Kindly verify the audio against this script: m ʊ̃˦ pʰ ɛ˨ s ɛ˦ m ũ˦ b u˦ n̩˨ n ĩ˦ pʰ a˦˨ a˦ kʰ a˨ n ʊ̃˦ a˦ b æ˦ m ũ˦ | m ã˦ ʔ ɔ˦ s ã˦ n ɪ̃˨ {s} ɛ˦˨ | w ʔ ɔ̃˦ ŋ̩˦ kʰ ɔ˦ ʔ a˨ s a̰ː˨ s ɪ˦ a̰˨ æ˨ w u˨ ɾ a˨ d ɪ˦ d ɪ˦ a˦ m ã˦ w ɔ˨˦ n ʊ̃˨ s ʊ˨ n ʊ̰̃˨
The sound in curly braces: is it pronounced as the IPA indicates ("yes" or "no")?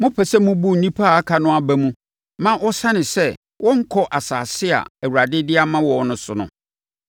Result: yes